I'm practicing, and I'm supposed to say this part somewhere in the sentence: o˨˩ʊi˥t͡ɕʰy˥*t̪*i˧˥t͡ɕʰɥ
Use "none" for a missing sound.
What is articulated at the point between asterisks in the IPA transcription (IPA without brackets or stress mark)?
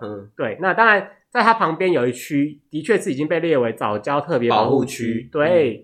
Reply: t̪